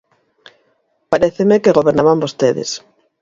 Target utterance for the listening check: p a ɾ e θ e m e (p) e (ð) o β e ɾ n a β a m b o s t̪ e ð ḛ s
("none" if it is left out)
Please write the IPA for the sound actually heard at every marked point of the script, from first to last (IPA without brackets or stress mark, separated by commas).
k, ɣ